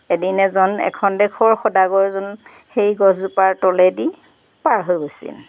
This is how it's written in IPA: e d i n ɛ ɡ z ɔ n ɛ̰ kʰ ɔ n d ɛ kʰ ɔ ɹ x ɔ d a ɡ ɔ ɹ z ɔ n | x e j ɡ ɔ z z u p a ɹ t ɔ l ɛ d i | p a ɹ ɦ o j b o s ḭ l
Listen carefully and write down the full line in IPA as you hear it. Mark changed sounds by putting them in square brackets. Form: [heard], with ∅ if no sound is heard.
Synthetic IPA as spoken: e d i n ɛ [∅] z ɔ n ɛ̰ kʰ ɔ n d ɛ kʰ ɔ ɹ x ɔ d a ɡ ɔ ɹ z ɔ n | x e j ɡ ɔ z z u p a ɹ t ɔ l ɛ d i | p a ɹ ɦ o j b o s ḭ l

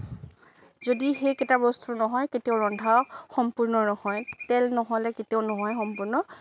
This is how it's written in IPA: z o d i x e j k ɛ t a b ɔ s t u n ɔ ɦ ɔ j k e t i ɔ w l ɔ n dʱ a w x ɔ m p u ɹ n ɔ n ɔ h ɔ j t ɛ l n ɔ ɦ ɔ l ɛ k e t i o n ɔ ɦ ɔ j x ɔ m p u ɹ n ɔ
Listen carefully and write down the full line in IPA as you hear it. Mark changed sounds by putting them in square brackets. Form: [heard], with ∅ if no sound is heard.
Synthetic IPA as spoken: z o d i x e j k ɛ t a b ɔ s t u n ɔ ɦ ɔ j k e t i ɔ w [ɹ] ɔ n dʱ a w x ɔ m p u ɹ n ɔ n ɔ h ɔ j t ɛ l n ɔ ɦ ɔ l ɛ k e t i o n ɔ ɦ ɔ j x ɔ m p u ɹ n ɔ

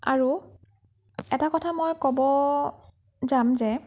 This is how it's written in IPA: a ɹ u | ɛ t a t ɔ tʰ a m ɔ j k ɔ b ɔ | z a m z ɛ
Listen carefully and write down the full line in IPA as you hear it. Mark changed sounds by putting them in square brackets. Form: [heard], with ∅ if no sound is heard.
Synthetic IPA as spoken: a ɹ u | ɛ t a [k] ɔ tʰ a m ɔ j k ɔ b ɔ | z a m z ɛ

